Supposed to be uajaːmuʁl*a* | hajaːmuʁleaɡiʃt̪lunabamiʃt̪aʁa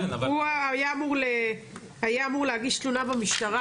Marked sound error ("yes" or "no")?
yes